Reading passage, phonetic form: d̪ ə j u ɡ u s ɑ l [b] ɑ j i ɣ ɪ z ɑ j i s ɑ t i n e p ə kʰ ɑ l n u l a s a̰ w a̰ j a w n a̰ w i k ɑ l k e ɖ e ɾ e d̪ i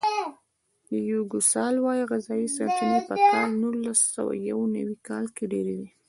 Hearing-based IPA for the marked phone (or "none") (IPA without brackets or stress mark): w